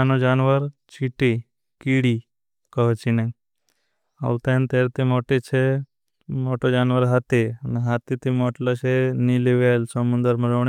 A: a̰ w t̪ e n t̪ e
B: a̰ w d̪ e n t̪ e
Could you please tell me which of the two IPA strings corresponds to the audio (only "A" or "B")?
A